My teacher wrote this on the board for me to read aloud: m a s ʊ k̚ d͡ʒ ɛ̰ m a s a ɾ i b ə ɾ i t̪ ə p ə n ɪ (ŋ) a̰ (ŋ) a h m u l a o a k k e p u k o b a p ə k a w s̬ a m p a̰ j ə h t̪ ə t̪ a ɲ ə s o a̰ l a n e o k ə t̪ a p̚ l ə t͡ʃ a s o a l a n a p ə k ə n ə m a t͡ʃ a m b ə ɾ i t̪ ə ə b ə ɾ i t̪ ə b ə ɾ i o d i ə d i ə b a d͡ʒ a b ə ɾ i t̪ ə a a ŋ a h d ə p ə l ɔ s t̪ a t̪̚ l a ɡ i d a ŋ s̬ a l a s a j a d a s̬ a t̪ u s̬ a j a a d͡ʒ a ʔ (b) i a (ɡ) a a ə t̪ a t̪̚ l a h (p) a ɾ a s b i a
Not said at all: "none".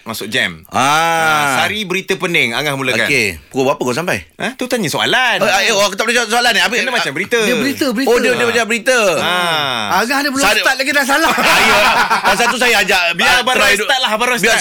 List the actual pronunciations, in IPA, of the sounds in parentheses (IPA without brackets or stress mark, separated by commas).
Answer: ŋ, ŋ, b, b, b